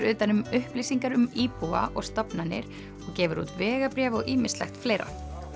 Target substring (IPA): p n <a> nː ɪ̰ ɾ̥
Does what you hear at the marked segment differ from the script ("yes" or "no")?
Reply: no